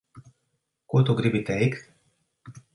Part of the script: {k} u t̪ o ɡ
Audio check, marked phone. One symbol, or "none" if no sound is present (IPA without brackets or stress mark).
k